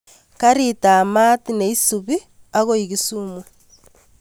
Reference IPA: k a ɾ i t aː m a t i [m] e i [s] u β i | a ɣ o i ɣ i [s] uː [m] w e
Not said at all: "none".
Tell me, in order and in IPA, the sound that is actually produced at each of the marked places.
n, s, s, m

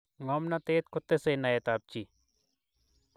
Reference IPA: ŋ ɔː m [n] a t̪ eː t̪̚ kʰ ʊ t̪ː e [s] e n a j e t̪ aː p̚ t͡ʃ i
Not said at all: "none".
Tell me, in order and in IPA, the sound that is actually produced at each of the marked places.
n, s

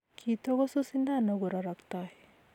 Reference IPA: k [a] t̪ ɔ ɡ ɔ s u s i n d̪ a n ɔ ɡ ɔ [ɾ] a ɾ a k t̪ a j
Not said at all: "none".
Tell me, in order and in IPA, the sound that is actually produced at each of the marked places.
i, ɾ

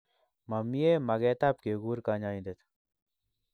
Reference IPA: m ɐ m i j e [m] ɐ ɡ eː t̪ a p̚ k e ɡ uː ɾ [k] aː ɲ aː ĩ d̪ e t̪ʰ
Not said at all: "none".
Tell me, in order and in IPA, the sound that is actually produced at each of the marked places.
m, k

